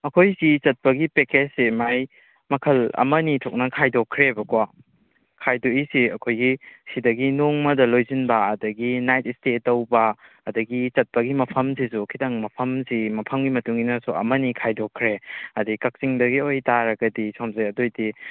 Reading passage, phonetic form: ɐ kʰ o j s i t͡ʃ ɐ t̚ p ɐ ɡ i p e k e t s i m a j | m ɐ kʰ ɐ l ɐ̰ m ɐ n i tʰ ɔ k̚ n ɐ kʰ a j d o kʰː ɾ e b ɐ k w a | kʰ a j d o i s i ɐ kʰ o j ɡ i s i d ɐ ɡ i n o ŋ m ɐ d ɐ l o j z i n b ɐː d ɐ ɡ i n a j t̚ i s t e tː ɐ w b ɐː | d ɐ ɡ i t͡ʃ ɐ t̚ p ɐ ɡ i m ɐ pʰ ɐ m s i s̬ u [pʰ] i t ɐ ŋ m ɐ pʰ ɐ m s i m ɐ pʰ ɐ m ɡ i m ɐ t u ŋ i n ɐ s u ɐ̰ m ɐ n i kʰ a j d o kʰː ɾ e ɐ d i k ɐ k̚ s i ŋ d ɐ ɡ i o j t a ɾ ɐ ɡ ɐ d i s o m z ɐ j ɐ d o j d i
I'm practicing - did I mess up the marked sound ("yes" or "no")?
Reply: yes